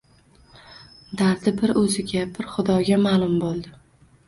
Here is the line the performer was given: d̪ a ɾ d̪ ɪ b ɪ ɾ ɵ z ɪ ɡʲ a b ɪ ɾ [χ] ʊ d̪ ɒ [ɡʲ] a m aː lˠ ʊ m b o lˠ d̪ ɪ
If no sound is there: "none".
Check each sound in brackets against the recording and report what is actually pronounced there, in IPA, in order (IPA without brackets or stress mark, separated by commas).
χ, ɡʲ